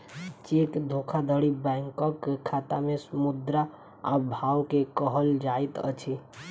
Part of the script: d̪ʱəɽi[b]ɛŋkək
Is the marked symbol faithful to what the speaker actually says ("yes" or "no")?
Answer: yes